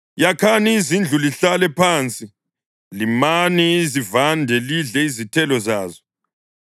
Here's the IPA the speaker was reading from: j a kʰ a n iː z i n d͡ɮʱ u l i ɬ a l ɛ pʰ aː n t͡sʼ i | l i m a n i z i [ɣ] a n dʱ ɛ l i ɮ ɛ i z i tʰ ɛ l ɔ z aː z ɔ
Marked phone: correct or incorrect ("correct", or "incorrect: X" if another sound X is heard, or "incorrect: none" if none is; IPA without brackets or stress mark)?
incorrect: v